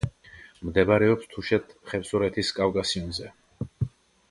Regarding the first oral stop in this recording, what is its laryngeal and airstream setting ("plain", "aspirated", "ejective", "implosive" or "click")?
plain